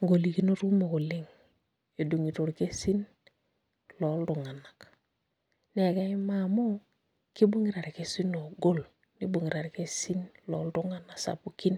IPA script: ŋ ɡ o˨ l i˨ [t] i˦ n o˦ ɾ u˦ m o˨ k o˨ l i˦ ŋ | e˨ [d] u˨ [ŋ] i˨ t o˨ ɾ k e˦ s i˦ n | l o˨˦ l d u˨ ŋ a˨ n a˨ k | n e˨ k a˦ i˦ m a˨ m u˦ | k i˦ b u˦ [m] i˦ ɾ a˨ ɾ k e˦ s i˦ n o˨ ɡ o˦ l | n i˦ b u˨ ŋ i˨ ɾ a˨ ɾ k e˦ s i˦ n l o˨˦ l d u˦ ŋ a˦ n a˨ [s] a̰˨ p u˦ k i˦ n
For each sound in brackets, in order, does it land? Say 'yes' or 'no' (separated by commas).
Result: no, yes, yes, no, yes